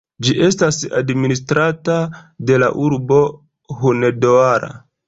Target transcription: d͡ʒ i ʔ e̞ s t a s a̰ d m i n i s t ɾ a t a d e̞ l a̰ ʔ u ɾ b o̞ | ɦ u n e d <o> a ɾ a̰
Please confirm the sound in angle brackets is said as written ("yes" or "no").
yes